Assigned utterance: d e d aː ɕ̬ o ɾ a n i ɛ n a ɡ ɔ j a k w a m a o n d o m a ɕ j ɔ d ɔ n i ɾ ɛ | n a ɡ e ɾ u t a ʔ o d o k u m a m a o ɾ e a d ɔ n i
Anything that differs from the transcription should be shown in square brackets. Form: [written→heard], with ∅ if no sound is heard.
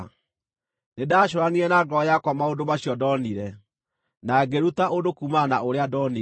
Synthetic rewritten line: [d→n] e d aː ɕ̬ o ɾ a n i ɛ n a ɡ ɔ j a k w a m a o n d o m a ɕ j ɔ d ɔ n i ɾ ɛ | n a ɡ e ɾ u t a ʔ o d o k u m a [m→n] a o ɾ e a d ɔ n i